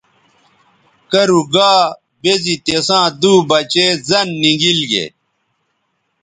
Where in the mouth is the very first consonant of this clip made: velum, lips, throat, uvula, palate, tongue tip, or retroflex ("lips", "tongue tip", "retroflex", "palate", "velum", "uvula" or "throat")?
velum